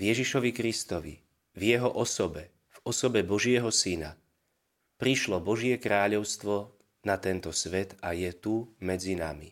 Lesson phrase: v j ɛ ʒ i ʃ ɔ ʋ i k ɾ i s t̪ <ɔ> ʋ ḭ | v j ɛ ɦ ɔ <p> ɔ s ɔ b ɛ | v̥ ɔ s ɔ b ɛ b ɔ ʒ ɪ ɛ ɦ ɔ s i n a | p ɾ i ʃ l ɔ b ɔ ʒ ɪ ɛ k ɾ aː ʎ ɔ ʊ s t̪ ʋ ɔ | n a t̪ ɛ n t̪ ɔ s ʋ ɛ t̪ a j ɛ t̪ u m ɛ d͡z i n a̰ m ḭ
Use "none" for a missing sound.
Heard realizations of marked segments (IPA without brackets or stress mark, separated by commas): ɔ, ʔ